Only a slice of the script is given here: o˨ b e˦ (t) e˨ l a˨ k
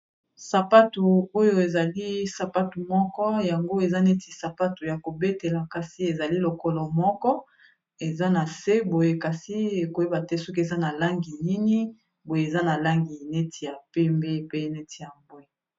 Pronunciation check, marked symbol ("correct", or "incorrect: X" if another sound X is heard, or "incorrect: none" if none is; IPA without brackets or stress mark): correct